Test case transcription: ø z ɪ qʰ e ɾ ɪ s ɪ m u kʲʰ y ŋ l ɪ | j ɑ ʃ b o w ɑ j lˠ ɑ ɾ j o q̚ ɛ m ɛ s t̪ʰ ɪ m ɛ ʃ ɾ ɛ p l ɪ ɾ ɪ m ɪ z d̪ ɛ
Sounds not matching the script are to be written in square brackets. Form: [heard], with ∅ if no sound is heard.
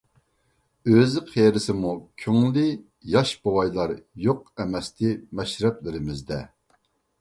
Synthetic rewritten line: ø z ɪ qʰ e ɾ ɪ s ɪ m u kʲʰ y ŋ l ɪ | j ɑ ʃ b o w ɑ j lˠ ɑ ɾ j o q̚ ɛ m ɛ s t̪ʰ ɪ m ɛ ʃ ɾ ɛ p l ɪ ɾ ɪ m ɪ z d̪ ɛ